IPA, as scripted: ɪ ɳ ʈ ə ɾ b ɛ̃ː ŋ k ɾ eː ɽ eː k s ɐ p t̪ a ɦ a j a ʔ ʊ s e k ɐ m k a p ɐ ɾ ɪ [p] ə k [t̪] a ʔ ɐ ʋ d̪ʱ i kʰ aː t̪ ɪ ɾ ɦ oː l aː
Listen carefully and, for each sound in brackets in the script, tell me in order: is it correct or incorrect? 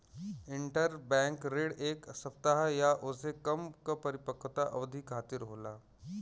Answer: correct, correct

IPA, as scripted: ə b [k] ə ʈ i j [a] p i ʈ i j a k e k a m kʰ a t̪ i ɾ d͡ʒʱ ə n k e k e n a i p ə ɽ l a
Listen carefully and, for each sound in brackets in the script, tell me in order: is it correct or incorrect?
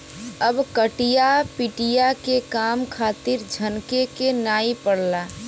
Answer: correct, correct

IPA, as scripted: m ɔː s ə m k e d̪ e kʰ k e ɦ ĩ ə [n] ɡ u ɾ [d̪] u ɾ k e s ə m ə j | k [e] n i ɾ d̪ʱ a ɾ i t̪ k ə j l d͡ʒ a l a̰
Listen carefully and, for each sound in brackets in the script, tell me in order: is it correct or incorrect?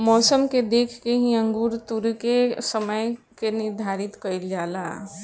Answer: incorrect, incorrect, correct

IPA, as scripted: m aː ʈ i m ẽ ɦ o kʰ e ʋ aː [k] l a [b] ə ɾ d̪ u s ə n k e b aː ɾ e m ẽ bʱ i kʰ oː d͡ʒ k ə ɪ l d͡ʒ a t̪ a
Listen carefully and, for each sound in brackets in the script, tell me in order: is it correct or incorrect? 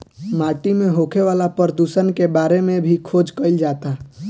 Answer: incorrect, incorrect

